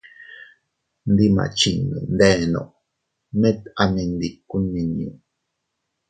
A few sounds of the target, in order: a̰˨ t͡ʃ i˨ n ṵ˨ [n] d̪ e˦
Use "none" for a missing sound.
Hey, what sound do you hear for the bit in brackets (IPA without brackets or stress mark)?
n